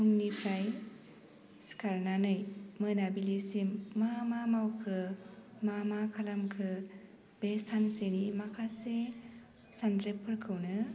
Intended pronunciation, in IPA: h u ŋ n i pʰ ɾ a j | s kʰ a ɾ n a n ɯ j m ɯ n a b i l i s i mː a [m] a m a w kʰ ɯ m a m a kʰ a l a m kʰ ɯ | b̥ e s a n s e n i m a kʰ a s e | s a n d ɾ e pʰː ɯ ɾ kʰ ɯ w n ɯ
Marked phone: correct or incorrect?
correct